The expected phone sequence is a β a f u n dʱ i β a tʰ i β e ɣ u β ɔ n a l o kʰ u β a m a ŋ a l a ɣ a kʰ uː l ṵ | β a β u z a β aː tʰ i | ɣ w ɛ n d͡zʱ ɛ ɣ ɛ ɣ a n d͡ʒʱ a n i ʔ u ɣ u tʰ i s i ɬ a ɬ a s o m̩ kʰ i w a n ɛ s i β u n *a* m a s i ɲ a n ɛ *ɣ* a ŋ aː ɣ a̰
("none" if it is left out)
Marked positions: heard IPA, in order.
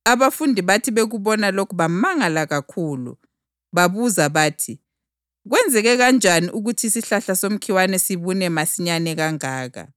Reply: ɛ, ɣ

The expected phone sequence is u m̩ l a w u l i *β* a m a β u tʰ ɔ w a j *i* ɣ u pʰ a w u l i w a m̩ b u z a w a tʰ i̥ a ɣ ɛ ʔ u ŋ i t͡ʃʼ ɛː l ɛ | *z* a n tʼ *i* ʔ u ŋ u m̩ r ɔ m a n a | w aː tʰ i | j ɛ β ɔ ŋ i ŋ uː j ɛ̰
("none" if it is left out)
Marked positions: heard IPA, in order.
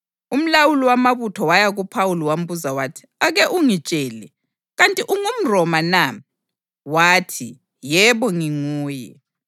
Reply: w, a, ɣ, i

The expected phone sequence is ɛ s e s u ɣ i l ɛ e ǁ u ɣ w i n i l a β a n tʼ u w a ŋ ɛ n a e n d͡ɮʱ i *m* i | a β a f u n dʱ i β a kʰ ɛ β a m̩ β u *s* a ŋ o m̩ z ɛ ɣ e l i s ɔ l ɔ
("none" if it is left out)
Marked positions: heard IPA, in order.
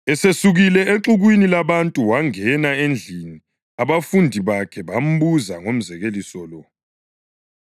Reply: n, z

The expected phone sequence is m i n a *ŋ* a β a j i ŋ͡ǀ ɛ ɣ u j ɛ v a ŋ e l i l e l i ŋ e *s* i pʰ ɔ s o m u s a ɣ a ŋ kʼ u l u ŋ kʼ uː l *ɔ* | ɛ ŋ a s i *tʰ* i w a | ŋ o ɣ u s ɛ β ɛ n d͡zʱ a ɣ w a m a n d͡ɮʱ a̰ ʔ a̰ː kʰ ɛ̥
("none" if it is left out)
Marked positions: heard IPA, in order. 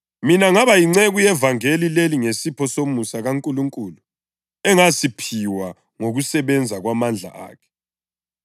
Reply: ŋ, s, u, pʰ

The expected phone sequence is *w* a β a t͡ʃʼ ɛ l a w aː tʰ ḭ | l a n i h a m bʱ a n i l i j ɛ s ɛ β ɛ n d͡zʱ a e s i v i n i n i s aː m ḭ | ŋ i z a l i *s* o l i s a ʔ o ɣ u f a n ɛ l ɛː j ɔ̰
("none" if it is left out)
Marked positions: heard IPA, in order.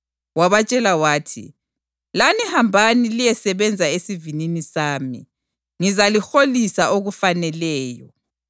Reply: w, x

